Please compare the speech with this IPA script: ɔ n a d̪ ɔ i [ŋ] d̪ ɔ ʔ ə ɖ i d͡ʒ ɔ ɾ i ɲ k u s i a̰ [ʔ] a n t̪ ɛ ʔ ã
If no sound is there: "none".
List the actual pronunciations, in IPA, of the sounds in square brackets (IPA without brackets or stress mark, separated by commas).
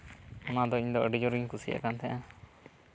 ɲ, k